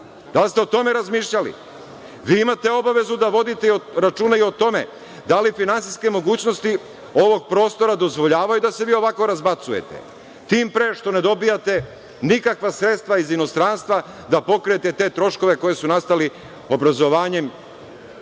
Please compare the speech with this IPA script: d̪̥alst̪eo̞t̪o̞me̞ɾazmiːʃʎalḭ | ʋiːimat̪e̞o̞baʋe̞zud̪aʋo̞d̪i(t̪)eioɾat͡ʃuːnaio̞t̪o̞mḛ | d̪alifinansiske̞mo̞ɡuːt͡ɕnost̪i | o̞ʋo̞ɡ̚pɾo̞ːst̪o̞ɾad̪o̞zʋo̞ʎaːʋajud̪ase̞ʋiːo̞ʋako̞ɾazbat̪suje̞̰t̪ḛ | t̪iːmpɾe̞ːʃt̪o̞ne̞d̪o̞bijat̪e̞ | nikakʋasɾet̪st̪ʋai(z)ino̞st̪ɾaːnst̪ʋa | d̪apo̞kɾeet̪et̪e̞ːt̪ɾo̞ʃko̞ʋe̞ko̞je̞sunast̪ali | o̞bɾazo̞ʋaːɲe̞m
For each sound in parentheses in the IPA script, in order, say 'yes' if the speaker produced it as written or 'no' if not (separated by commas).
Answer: yes, yes